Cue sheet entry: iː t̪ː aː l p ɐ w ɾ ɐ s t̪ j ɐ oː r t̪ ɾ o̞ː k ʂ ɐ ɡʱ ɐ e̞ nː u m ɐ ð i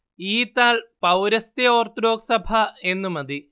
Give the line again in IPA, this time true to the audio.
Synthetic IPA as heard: iː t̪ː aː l p ɐ w ɾ ɐ s t̪ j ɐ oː r t̪ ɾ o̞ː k s ɐ bʱ ɐ e̞ nː u m ɐ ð i